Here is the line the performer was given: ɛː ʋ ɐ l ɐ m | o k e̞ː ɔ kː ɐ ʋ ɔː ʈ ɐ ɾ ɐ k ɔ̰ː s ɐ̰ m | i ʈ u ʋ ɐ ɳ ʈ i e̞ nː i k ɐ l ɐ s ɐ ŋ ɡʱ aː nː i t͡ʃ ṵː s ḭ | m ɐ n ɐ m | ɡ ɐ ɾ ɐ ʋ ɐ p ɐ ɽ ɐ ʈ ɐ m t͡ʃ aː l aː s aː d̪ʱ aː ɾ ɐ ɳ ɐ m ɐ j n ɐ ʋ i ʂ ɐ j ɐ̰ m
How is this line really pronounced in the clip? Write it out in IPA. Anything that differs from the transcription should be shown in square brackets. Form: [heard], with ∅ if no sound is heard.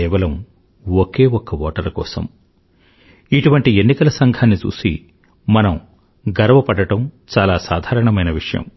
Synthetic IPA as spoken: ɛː ʋ ɐ l ɐ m | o k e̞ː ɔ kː ɐ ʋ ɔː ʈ ɐ ɾ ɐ k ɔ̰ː s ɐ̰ m | i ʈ u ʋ ɐ ɳ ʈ i e̞ nː i k ɐ l ɐ s ɐ ŋ ɡʱ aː nː i t͡ʃ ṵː s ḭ | m ɐ n ɐ m | ɡ ɐ ɾ ɐ ʋ ɐ p ɐ ɽ ɐ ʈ ɐ m t͡ʃ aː l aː s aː d̪ʱ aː ɾ ɐ ɳ ɐ m ɐ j n ɐ ʋ i ʂ ɐ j ɐ̰ m